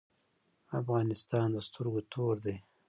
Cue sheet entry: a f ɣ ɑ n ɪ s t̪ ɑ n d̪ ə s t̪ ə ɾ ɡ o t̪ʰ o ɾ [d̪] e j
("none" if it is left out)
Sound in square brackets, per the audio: d̪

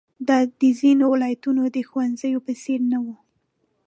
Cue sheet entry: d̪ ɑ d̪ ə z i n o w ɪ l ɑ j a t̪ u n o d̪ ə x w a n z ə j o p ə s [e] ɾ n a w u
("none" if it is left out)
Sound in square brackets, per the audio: e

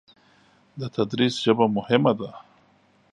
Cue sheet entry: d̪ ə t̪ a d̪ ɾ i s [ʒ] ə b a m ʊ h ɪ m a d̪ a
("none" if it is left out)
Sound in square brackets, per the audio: ʒ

